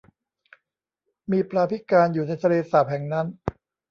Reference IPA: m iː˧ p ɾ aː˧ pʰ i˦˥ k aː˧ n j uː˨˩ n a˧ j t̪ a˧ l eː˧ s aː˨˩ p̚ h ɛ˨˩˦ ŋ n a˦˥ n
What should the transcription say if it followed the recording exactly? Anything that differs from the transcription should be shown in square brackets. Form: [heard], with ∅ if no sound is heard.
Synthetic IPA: m iː˧ p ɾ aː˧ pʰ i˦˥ k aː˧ n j uː˨˩ n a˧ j [t̪ʰ] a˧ l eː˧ s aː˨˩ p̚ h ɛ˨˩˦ ŋ n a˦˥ n